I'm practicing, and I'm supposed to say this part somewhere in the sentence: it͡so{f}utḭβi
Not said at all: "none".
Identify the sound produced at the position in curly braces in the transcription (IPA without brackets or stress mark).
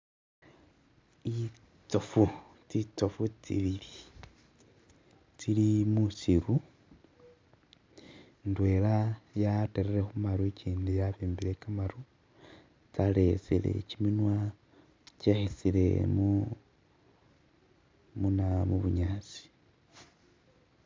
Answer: f